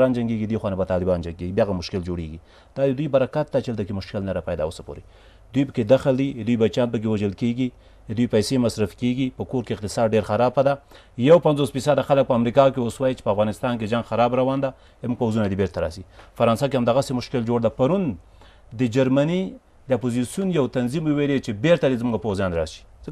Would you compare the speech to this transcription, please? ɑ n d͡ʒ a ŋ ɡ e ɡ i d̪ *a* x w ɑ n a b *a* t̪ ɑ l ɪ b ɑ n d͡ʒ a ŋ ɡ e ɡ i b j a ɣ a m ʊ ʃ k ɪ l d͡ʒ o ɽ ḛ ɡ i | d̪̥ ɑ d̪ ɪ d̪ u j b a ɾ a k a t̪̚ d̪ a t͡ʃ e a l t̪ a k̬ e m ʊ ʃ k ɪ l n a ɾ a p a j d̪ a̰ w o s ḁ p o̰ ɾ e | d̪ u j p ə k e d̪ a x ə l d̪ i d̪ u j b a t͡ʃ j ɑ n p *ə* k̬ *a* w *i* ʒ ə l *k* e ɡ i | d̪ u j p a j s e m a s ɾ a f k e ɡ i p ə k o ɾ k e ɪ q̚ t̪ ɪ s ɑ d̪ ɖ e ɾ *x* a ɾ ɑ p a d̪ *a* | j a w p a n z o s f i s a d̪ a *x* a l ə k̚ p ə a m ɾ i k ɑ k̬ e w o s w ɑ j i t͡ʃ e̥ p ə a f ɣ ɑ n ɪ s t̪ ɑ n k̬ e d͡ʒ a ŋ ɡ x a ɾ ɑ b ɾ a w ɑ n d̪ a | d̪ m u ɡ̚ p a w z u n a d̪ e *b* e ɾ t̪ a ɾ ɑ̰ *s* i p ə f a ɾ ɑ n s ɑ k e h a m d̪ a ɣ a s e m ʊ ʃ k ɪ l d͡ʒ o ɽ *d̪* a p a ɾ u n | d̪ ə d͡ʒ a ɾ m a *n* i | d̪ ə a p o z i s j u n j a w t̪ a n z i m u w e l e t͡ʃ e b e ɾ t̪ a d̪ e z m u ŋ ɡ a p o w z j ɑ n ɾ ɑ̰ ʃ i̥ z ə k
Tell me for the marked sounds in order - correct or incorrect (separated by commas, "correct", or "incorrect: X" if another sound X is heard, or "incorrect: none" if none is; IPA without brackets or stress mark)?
incorrect: e, correct, correct, incorrect: e, incorrect: a, correct, correct, correct, correct, correct, correct, correct, correct